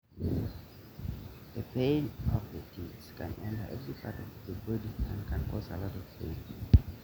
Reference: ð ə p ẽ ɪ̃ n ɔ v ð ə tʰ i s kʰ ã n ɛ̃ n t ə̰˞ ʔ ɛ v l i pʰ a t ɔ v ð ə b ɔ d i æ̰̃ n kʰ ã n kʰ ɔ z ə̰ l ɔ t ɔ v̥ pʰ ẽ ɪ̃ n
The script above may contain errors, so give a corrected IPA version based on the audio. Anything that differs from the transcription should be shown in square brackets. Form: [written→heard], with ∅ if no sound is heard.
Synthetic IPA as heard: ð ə p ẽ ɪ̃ n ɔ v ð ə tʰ i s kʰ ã n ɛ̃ n t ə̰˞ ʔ ɛ v [l→ɹ] i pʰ a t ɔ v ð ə b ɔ d i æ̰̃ n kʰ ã n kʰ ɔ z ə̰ l ɔ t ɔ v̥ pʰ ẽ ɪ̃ n